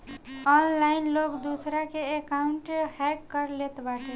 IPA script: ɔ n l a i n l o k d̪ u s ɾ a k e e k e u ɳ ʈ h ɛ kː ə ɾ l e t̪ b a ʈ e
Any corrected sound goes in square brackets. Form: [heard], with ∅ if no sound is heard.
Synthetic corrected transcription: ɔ n l a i n l o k d̪ u s ɾ a k e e k [a] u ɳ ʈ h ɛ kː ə ɾ l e t̪ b a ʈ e